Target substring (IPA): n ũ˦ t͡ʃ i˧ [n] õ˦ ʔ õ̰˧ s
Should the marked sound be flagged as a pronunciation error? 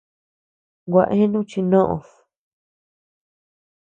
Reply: no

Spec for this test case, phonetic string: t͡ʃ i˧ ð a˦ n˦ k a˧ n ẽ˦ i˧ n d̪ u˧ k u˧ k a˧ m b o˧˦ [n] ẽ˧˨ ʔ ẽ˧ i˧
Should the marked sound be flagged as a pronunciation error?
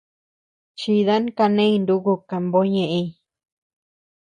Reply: yes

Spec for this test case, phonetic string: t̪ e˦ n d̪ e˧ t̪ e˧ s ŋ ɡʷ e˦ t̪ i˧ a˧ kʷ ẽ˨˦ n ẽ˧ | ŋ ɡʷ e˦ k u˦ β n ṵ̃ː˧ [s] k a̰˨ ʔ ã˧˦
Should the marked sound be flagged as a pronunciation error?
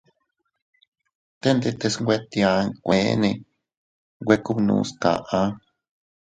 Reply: no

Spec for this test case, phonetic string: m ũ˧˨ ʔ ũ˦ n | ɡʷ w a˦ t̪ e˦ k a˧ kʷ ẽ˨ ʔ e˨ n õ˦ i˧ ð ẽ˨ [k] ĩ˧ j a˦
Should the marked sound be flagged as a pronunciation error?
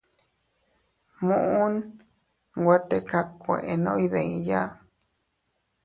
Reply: yes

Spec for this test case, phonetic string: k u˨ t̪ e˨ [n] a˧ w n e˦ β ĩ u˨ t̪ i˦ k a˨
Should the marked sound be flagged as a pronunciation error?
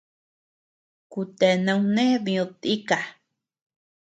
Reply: no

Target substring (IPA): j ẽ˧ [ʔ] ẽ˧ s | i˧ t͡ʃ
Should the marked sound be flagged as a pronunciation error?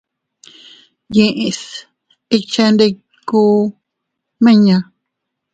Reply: no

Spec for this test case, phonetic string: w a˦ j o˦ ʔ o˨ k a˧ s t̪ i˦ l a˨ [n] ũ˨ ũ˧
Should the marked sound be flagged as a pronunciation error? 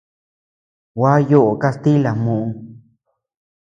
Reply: yes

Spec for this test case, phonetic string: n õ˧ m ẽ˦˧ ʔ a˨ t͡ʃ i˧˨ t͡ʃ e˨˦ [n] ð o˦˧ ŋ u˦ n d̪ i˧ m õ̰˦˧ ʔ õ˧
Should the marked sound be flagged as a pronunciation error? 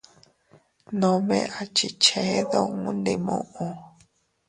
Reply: yes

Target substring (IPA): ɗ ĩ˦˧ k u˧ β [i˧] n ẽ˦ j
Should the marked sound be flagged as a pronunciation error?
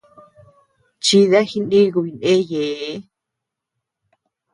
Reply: no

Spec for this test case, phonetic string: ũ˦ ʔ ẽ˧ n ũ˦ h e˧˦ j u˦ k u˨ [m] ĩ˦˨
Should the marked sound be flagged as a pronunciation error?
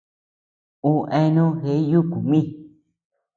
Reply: no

